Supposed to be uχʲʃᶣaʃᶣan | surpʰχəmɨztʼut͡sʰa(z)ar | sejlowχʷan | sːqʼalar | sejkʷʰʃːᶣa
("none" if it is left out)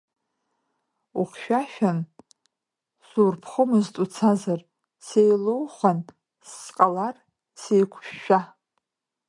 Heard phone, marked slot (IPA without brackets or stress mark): z